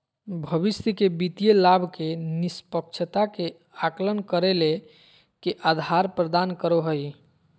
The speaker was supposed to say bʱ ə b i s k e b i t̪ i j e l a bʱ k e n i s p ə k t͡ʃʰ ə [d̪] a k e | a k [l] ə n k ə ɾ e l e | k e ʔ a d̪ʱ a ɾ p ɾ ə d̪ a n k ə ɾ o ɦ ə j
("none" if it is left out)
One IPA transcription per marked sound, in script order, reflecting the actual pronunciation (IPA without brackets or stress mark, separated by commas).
t̪, l